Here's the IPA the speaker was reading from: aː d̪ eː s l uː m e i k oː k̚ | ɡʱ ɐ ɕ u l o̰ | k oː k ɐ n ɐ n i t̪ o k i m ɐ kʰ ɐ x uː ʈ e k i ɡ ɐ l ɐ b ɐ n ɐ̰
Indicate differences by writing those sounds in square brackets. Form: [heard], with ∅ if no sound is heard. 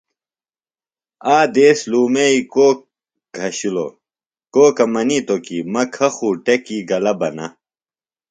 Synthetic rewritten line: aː d̪ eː s l uː m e i k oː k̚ | ɡʱ ɐ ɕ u l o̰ | k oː k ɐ [m] ɐ n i t̪ o k i m ɐ kʰ ɐ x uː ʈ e k i ɡ ɐ l ɐ b ɐ n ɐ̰